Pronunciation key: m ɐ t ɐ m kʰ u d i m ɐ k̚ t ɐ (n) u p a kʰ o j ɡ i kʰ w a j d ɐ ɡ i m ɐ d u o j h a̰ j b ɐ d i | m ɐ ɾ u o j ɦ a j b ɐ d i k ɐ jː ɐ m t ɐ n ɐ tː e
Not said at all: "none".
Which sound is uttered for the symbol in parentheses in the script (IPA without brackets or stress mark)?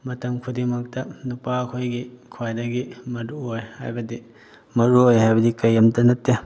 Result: n